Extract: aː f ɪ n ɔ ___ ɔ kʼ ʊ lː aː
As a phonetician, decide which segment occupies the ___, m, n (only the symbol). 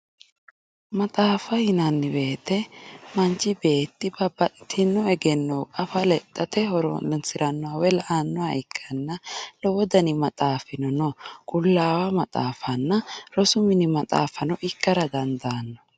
n